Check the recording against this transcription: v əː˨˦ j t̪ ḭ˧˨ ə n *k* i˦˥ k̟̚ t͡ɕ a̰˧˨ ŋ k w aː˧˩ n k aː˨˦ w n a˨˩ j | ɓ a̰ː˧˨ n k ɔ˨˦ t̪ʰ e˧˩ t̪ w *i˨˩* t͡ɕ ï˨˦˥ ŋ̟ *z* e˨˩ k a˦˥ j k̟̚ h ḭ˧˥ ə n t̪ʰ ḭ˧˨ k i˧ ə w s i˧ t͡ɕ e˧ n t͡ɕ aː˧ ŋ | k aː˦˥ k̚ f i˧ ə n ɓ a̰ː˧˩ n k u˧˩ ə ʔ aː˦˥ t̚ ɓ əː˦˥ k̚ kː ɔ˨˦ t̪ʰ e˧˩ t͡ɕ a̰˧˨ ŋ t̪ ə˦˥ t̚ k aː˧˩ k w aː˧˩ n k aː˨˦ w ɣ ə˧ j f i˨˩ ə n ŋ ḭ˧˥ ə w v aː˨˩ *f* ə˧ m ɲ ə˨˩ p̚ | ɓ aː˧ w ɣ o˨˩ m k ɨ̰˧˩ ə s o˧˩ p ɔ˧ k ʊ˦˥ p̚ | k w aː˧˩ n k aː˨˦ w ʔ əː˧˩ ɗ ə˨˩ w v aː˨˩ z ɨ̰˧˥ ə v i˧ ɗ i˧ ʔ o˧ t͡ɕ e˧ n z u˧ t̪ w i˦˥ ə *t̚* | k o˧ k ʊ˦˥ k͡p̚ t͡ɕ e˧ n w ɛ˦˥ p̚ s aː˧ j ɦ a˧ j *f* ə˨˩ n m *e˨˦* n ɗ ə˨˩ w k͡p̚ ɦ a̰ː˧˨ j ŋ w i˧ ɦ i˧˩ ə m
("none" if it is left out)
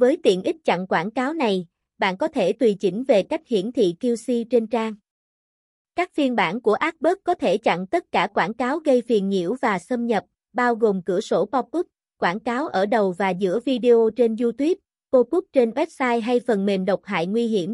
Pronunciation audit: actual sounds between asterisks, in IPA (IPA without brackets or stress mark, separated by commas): ʔ, i˨˩, v, s, p̚, f, e˨˩